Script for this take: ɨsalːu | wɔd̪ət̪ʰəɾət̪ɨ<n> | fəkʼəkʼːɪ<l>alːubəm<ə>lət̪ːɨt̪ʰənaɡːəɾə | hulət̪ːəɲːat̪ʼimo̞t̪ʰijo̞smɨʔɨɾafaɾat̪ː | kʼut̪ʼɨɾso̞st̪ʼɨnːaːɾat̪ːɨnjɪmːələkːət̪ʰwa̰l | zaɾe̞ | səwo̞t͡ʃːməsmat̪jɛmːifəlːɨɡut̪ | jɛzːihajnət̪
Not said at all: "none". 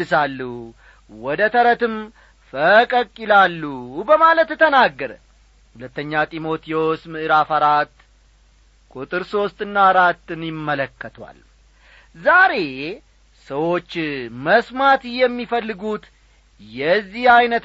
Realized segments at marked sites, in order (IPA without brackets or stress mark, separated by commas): m, l, a